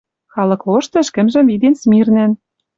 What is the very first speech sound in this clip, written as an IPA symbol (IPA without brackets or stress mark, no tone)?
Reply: x